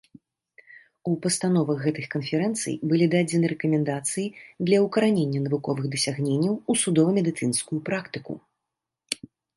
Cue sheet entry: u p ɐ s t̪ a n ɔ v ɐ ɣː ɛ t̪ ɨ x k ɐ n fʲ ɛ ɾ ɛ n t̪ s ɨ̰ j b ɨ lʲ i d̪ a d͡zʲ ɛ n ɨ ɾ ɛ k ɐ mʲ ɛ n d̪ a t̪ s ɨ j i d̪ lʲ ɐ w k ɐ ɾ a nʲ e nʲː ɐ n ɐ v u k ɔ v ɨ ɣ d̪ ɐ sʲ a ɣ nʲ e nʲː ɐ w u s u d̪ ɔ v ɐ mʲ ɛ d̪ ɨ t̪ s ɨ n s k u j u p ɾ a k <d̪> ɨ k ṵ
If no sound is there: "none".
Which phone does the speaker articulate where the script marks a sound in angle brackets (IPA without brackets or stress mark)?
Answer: t̪